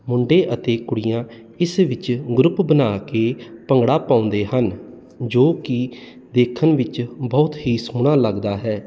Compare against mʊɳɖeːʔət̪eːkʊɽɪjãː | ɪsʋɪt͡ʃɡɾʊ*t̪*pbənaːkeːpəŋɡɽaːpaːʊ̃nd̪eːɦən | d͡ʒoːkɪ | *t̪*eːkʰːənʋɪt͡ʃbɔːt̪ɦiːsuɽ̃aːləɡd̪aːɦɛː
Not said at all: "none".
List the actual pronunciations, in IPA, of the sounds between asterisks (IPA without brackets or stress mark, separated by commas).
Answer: none, d̪